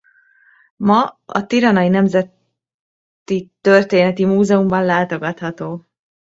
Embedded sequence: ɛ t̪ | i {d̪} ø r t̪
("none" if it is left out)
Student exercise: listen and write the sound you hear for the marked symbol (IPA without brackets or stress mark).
t̪